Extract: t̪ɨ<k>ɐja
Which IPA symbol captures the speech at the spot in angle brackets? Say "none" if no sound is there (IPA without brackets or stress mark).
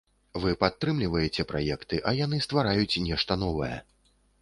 ʔ